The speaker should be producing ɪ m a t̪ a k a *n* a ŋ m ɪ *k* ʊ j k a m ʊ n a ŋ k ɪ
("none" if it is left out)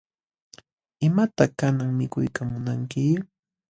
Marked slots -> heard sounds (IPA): n, k

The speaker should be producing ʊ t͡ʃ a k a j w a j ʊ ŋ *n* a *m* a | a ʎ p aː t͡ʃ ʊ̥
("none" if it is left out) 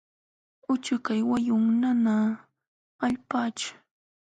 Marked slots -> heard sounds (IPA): n, n

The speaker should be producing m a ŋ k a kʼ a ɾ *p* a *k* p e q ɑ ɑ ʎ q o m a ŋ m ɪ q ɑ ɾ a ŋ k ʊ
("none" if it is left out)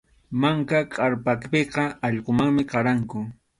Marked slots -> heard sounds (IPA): p, k

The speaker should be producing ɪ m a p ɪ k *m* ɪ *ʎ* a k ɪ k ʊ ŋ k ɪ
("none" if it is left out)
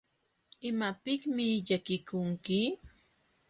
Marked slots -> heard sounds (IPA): m, ʎ

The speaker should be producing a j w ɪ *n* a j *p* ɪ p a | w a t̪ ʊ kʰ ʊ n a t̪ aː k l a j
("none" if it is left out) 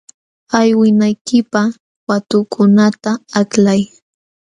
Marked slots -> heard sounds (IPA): n, k

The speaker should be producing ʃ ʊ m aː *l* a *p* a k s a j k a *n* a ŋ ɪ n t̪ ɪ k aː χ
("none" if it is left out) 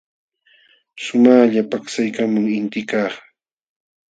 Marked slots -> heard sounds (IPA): ʎ, p, m

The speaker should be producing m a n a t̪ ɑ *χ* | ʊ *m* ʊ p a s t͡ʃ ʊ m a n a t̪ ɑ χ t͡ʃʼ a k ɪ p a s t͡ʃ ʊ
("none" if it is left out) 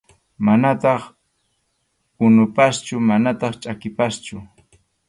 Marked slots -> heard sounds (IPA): χ, n

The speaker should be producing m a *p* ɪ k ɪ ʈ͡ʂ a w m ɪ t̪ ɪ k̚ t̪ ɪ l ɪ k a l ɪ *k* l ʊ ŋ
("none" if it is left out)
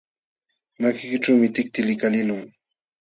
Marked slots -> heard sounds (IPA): k, none

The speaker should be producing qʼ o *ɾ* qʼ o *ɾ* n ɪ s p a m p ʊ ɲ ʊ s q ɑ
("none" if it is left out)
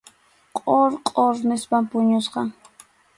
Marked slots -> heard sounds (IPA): ɾ, ɾ

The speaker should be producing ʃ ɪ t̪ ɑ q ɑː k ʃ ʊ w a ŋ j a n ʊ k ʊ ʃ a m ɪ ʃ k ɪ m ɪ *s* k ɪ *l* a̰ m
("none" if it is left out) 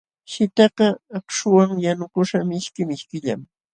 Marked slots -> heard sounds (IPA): ʃ, ʎ

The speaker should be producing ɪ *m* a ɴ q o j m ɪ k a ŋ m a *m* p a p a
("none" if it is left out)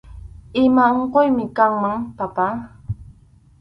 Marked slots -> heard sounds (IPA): m, ŋ

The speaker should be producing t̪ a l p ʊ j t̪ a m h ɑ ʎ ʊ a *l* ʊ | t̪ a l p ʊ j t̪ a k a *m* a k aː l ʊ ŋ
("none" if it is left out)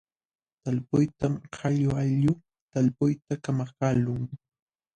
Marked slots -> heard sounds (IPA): ʎ, m

